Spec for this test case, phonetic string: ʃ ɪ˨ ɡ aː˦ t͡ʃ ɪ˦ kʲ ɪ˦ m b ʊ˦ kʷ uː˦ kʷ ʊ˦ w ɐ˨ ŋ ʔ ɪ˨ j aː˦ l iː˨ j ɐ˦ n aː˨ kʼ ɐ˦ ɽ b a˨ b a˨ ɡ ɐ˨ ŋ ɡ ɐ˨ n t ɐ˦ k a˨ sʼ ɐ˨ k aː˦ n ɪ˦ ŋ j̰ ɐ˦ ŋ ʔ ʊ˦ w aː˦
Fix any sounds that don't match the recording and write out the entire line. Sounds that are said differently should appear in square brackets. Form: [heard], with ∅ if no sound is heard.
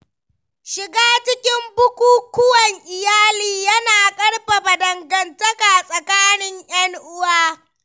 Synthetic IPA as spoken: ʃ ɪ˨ ɡ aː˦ t͡ʃ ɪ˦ kʲ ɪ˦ m b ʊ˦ kʷ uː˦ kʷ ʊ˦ w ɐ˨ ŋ ʔ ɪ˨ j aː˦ l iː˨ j ɐ˦ n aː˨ kʼ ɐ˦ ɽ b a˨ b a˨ [d] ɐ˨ ŋ ɡ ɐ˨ n t ɐ˦ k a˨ sʼ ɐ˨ k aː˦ n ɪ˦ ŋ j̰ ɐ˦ ŋ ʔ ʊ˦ w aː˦